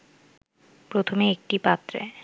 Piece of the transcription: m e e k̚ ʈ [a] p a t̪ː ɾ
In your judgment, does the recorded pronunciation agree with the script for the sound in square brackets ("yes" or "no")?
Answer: no